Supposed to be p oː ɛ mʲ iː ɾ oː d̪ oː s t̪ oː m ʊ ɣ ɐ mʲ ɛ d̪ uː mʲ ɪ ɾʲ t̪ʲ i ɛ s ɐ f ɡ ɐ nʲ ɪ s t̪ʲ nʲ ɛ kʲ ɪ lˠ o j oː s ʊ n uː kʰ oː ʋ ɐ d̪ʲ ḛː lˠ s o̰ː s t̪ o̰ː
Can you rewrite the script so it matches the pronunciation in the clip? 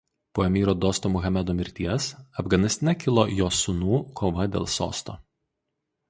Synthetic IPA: p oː ɛ mʲ iː ɾ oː d̪ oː s t̪ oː m ʊ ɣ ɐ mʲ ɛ d̪ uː mʲ ɪ ɾʲ t̪ʲ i ɛ s ɐ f ɡ ɐ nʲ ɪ s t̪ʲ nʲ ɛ kʲ ɪ lˠ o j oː s ʊ n uː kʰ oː ʋ ɐ d̪ʲ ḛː lˠ s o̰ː s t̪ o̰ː